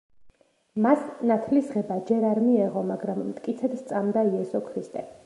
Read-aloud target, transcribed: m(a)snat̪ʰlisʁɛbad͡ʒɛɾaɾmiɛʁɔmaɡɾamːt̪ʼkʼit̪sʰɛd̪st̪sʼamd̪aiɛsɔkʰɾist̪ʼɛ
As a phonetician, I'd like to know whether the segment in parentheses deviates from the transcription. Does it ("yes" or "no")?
no